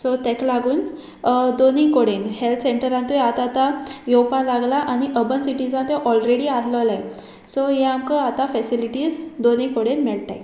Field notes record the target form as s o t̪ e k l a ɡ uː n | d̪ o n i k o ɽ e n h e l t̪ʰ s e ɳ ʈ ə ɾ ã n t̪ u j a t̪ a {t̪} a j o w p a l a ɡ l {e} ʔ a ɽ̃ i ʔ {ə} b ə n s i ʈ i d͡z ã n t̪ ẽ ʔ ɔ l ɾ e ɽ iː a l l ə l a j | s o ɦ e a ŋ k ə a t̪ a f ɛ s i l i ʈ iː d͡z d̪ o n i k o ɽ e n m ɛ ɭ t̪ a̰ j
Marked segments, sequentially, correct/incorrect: correct, incorrect, correct

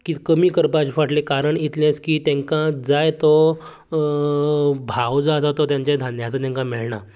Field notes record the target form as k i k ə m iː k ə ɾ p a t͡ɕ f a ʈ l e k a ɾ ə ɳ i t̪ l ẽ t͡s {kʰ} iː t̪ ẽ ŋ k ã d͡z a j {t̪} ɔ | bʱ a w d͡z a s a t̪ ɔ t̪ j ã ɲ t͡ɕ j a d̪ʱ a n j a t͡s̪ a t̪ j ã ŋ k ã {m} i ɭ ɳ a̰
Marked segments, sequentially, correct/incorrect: incorrect, correct, correct

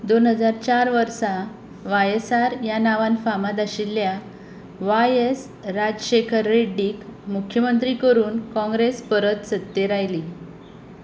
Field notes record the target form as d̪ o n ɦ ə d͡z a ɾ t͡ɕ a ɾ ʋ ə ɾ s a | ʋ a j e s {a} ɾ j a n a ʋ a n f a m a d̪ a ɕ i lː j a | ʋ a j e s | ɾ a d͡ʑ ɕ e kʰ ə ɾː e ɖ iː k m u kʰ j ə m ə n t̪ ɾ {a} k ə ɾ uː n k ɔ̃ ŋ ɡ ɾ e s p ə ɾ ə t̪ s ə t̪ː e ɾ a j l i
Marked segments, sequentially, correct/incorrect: correct, incorrect

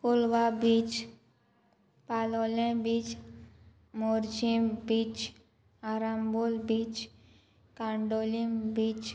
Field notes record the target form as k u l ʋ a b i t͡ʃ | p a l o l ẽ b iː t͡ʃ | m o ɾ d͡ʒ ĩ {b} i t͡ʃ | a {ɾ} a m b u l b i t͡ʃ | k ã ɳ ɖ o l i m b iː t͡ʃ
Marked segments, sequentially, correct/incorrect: correct, correct

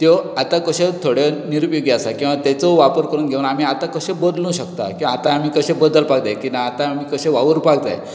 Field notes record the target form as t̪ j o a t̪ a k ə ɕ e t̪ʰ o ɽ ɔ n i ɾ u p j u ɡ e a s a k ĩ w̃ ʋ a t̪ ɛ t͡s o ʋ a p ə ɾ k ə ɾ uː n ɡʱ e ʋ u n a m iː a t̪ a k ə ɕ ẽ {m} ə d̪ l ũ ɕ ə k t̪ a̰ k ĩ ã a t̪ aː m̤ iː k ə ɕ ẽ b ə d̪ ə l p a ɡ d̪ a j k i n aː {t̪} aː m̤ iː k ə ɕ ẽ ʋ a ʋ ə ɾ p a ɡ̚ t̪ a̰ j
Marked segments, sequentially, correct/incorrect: incorrect, correct

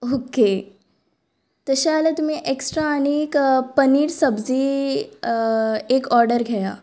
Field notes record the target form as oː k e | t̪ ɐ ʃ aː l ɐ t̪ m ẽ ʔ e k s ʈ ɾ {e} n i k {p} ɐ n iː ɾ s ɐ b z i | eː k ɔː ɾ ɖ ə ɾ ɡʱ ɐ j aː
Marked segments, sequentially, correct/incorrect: incorrect, correct

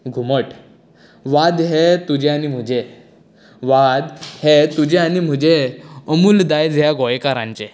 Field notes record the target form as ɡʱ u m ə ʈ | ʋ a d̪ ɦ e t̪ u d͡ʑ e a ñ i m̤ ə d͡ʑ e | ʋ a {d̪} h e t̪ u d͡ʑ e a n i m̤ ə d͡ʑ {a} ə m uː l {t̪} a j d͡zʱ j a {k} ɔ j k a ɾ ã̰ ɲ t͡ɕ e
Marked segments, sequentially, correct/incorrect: correct, incorrect, incorrect, incorrect

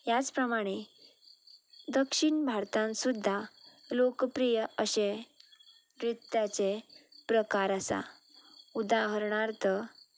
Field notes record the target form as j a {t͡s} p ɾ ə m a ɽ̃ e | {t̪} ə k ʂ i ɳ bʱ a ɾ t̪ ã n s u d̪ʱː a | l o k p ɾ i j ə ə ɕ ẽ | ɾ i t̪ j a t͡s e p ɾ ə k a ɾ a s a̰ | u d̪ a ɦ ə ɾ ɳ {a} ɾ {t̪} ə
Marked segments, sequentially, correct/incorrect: correct, incorrect, correct, correct

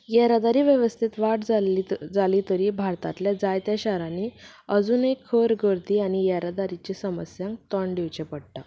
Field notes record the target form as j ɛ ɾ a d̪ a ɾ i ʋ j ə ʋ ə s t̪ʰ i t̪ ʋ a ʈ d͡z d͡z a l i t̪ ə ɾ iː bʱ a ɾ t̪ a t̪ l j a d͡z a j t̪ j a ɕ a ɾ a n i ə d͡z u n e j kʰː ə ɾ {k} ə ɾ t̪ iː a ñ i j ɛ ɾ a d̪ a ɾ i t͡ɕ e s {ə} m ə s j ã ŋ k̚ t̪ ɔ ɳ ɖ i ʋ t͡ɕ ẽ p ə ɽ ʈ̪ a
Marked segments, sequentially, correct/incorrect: incorrect, correct

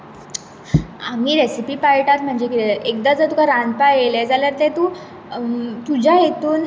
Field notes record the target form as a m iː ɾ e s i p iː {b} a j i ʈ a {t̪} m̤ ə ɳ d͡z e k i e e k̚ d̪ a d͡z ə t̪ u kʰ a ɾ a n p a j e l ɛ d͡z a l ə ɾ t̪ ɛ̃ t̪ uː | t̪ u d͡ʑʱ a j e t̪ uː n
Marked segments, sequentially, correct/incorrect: incorrect, correct

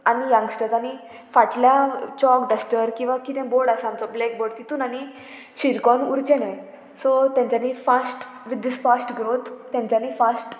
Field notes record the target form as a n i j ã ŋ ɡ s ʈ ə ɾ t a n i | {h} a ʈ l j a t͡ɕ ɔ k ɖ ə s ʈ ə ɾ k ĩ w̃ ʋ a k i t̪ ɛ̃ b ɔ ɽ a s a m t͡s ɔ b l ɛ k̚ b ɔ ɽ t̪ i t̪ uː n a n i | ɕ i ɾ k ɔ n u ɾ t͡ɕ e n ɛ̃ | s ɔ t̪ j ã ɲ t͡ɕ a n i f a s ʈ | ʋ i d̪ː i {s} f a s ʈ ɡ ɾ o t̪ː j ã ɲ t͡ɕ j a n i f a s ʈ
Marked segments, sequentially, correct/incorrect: incorrect, correct

